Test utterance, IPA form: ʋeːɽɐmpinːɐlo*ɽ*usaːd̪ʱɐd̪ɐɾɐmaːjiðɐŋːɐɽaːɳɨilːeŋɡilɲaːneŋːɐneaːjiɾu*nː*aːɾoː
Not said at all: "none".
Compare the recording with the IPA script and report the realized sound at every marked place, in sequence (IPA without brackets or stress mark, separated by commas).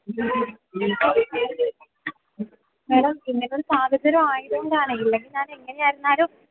ɾ, nː